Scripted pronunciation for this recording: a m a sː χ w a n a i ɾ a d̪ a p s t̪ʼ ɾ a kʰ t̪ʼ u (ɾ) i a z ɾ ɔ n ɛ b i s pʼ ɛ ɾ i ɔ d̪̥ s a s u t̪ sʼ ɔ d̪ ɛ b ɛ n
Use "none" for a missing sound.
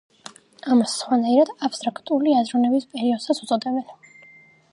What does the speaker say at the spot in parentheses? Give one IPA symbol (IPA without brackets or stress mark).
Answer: l